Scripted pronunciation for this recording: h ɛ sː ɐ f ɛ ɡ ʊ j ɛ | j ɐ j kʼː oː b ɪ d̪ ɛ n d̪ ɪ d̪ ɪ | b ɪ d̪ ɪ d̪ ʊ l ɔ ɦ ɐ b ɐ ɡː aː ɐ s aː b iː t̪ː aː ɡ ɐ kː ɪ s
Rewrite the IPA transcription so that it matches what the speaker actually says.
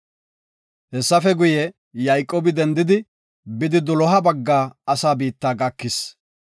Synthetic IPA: h ɛ sː ɐ f ɛ ɡ ʊ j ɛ | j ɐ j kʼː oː b ɪ d̪ ɛ n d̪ ɪ d̪ ɪ | b ɪ d̪ ɪ d̪ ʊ l ɔ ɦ ɐ b ɐ ɡː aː ɐ s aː b iː t̪ː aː ɡ ɐ kː ɪ s